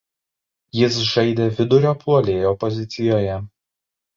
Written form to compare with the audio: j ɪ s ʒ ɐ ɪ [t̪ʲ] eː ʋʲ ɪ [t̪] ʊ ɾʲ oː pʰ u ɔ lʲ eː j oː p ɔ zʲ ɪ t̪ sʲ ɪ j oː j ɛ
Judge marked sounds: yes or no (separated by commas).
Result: no, no